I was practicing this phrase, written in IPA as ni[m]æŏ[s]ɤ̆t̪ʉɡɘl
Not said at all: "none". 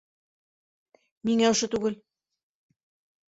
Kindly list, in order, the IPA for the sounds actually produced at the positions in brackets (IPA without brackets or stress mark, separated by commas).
ŋ, ʃ